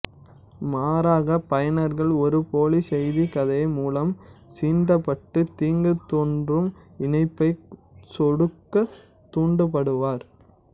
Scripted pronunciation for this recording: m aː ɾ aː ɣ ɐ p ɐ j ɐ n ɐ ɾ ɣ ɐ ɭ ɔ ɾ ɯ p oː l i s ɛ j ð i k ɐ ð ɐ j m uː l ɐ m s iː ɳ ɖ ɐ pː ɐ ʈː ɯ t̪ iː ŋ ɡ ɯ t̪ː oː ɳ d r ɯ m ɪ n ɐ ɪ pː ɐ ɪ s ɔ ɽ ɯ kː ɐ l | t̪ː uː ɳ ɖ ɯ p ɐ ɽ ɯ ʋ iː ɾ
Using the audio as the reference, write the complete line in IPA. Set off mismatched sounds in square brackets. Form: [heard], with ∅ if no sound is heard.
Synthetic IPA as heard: m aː ɾ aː ɣ ɐ p ɐ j ɐ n ɐ ɾ ɣ ɐ ɭ ɔ ɾ ɯ p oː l i s ɛ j ð i k ɐ ð ɐ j m uː l ɐ m s iː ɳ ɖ ɐ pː ɐ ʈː ɯ t̪ iː ŋ ɡ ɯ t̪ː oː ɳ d r ɯ m ɪ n ɐ ɪ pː ɐ ɪ s ɔ ɽ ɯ kː ɐ [∅] | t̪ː uː ɳ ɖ ɯ p ɐ ɽ ɯ ʋ [aː] ɾ